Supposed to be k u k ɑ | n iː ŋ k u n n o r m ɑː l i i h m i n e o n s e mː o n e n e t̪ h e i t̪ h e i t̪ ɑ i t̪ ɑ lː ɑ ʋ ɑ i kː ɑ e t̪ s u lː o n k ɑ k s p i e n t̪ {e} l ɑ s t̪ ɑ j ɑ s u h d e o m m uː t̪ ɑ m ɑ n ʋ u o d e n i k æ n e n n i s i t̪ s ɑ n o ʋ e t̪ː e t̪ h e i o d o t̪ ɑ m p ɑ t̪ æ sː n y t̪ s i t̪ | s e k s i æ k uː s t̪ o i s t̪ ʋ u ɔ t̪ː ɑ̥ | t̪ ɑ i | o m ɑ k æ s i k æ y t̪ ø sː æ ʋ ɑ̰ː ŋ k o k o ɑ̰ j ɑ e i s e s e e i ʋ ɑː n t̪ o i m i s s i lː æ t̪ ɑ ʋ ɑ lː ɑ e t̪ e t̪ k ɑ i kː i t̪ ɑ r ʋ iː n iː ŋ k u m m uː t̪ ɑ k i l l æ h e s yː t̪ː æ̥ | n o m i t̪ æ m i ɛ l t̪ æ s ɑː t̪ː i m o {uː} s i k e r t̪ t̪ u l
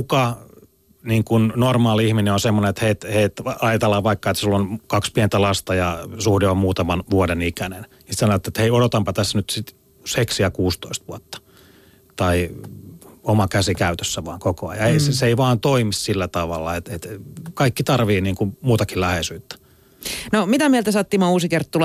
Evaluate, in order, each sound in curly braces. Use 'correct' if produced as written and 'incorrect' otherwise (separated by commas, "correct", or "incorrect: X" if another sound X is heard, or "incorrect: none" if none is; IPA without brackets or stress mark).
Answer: incorrect: æ, correct